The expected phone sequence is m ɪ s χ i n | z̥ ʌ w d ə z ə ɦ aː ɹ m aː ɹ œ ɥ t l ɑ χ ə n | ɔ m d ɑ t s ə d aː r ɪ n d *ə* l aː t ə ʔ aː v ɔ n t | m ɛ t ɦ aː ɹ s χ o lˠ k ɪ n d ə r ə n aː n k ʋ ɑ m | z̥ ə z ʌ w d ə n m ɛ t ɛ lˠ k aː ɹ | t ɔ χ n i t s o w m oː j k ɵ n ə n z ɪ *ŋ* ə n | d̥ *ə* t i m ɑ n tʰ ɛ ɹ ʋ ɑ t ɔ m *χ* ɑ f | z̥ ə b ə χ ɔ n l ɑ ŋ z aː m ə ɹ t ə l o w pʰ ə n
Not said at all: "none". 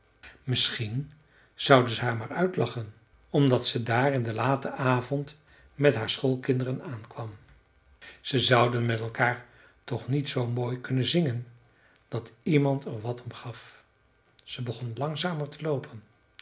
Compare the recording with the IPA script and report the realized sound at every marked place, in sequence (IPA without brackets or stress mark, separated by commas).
ə, ŋ, ɑ, χ